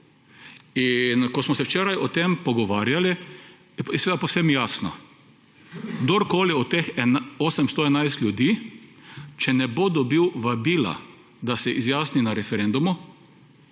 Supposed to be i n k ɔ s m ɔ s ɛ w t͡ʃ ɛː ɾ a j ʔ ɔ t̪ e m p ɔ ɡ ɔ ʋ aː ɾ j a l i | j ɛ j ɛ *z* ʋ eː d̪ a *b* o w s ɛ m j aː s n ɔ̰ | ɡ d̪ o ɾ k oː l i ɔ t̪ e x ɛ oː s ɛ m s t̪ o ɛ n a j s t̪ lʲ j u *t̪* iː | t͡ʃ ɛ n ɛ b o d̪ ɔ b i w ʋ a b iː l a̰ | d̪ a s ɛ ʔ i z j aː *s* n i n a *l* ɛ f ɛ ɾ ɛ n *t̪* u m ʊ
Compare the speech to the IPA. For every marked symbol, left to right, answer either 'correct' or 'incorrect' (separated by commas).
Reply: incorrect, incorrect, incorrect, correct, incorrect, incorrect